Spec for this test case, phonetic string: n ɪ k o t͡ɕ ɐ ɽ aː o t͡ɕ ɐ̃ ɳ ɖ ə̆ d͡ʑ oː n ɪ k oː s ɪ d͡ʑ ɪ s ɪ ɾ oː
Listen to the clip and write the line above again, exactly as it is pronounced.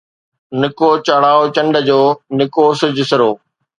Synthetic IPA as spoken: n ɪ k o t͡ɕ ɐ ɽ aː o t͡ɕ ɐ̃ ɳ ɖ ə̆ d͡ʑ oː n ɪ k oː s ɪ d͡ʑ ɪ s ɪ ɾ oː